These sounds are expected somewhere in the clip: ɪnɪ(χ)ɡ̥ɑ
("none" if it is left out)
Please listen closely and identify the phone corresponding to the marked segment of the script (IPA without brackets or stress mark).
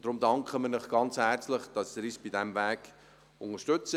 χ